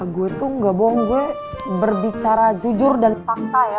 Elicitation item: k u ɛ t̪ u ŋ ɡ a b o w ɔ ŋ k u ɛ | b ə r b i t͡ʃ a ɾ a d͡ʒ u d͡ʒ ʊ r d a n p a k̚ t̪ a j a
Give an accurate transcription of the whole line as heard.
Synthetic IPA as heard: ɡ u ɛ t̪ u ŋ ɡ a b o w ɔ ŋ ɡ u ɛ | b ə r b i t͡ʃ a ɾ a d͡ʒ u d͡ʒ ʊ r d a n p a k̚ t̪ a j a